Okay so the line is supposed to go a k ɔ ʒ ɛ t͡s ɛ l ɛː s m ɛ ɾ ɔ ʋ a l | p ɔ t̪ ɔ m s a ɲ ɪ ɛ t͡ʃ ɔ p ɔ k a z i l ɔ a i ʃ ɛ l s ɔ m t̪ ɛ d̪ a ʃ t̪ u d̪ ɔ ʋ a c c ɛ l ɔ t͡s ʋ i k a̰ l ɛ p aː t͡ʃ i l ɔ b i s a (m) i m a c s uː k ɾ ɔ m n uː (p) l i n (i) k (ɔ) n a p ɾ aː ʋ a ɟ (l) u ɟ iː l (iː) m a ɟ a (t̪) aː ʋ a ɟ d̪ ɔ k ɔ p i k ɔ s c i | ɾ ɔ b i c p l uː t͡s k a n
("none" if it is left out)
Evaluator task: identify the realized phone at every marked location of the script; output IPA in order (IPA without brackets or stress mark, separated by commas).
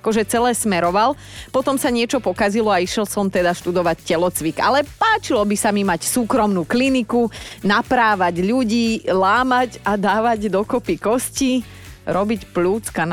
m, k, i, u, ʎ, aː, d̪